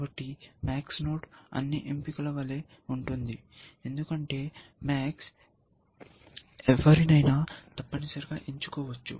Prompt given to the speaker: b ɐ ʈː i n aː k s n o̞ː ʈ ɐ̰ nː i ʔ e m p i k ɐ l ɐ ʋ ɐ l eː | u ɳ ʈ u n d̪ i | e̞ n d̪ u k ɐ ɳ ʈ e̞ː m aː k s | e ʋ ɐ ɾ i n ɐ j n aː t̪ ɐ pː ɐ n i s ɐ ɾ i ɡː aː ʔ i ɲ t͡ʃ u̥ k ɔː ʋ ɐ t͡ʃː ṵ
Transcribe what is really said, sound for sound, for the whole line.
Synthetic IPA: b ɐ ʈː i m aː k s n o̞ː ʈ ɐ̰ nː i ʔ e m p i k ɐ l ɐ ʋ ɐ l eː | u ɳ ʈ u n d̪ i | e̞ n d̪ u k ɐ ɳ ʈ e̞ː m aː k s | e ʋ ɐ ɾ i n ɐ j n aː t̪ ɐ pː ɐ n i s ɐ ɾ i ɡ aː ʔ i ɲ t͡ʃ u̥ k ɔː ʋ ɐ t͡ʃː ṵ